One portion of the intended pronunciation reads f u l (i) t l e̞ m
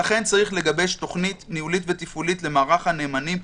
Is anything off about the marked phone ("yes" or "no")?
no